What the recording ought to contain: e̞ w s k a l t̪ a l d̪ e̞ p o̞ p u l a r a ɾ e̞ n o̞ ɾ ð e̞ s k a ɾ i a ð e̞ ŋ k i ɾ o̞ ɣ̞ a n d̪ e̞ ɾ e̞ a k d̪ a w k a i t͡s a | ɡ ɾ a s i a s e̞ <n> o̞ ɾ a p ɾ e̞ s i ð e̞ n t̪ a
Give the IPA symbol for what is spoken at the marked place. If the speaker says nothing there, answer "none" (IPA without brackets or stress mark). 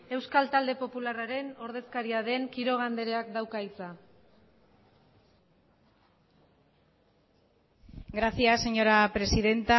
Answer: ɲ